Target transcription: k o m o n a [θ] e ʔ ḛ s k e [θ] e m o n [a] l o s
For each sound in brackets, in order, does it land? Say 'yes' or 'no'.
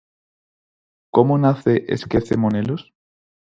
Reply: yes, yes, no

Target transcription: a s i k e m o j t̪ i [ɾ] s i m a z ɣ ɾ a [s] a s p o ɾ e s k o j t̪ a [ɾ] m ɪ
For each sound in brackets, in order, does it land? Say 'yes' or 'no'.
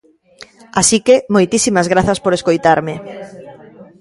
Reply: no, no, yes

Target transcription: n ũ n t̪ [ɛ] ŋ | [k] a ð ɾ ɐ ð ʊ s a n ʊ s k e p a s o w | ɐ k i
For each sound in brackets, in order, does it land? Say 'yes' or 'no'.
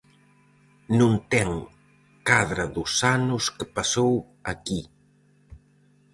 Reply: yes, yes

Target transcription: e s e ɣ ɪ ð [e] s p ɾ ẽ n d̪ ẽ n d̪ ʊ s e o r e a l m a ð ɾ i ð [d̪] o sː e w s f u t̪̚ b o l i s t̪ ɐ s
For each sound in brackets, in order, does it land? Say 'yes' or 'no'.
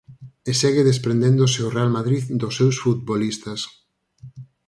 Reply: yes, yes

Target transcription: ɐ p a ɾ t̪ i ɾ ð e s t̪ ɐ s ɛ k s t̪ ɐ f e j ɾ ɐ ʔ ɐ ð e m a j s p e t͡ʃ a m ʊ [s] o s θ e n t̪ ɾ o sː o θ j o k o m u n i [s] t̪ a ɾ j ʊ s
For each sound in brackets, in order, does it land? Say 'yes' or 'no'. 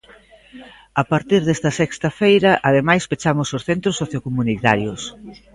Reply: yes, no

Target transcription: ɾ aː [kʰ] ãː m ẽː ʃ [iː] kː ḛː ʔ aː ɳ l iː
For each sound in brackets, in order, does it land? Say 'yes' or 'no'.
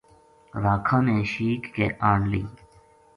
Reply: yes, yes

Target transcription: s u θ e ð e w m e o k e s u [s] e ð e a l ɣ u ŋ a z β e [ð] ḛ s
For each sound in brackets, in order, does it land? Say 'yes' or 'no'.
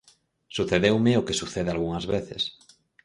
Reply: no, no

